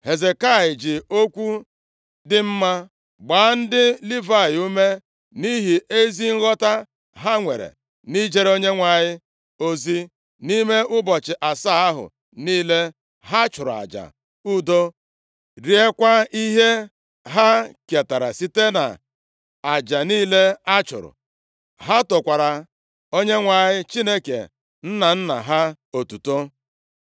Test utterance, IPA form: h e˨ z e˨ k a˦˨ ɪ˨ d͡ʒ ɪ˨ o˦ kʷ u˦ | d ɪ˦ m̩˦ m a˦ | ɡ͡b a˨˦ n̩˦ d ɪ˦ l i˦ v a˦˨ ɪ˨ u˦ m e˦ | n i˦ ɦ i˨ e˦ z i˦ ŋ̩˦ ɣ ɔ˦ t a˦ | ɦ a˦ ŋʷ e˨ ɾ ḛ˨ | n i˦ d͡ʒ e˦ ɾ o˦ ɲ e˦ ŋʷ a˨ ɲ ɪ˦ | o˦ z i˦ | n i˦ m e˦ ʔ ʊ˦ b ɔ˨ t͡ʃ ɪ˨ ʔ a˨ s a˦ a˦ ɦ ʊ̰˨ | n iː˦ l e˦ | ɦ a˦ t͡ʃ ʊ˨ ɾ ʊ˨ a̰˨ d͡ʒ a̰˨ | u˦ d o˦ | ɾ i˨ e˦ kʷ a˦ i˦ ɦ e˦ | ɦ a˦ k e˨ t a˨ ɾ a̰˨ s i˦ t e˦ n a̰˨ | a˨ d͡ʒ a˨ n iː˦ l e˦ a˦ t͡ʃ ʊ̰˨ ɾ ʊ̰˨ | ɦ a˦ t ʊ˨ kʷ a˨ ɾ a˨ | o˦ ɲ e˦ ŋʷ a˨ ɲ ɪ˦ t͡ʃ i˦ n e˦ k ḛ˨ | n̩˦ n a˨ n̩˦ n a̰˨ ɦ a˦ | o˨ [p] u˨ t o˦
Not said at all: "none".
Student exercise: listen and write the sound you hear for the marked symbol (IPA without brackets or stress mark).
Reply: t